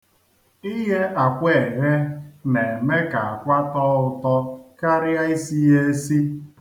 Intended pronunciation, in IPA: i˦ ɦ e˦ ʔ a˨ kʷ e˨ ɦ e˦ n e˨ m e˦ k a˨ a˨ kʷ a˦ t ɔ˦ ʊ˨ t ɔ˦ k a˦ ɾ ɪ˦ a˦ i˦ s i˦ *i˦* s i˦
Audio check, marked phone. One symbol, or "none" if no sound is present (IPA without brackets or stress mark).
e˦